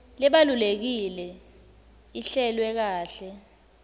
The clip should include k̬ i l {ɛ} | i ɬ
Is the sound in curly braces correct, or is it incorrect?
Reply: correct